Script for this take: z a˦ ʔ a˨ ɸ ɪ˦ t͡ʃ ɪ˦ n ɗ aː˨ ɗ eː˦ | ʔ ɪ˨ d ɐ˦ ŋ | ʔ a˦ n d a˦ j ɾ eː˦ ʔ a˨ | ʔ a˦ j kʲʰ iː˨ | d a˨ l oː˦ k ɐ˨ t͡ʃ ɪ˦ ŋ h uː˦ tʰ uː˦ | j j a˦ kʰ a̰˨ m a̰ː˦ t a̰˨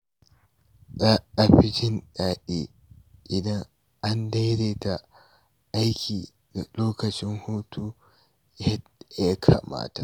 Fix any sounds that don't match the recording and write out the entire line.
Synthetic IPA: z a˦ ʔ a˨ ɸ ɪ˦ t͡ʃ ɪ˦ n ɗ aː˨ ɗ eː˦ | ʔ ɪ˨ d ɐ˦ ŋ | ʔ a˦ n d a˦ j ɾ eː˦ t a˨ | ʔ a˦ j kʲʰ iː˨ | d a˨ l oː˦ k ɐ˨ t͡ʃ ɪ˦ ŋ h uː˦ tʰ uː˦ | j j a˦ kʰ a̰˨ m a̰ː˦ t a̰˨